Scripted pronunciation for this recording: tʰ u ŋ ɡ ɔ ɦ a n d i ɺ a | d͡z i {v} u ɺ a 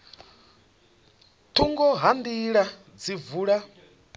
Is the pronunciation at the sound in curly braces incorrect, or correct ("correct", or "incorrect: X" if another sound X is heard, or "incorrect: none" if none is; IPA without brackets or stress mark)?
correct